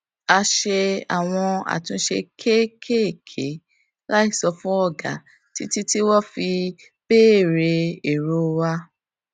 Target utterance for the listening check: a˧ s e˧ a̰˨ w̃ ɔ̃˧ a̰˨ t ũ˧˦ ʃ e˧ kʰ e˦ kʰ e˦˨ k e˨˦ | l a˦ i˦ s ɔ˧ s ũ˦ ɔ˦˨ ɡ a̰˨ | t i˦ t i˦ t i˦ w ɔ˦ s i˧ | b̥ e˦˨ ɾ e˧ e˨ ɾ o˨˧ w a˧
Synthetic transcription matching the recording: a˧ ʃ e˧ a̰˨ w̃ ɔ̃˧ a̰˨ t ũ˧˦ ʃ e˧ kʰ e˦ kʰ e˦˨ kʰ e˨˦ | l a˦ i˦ s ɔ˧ f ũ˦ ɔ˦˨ ɡ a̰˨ | t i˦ t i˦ t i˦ w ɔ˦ f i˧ | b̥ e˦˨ ɾ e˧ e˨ ɾ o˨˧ w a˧